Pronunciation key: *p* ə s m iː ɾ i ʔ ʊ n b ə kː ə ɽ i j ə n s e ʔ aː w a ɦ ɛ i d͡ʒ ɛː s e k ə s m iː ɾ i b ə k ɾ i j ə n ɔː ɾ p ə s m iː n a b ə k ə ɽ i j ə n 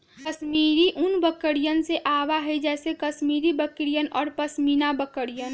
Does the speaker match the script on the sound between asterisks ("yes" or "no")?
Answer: no